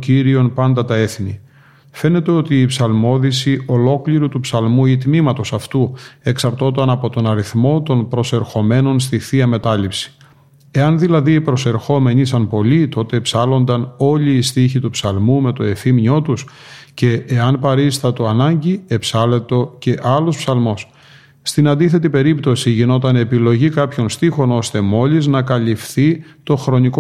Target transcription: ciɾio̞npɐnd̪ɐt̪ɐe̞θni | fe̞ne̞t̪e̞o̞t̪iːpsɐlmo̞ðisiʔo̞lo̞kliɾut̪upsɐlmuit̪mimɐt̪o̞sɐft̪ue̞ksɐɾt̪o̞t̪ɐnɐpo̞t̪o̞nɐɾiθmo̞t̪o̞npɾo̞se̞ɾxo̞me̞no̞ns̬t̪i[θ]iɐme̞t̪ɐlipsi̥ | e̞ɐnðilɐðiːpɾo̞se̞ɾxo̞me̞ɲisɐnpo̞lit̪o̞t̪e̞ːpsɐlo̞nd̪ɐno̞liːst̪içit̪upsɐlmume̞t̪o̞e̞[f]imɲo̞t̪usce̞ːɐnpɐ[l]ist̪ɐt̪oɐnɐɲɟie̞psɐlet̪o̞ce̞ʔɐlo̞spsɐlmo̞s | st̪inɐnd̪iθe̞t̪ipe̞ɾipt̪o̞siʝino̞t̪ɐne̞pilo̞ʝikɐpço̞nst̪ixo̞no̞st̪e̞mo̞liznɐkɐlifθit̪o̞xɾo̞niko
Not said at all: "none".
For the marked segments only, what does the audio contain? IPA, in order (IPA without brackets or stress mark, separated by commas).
θ, f, ɾ